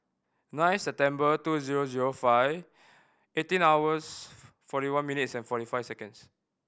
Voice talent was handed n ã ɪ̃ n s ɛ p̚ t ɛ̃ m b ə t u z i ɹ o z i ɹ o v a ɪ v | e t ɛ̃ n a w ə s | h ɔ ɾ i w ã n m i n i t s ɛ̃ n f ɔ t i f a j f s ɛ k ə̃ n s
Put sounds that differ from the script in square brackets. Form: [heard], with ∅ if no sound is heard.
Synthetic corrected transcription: n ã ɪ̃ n s ɛ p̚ t ɛ̃ m b ə t u z i ɹ o z i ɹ o [f] a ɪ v | e t [ĩ] n a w ə s | [f] ɔ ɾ i w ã n m i n i t s ɛ̃ n f ɔ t i f a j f s ɛ k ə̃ n s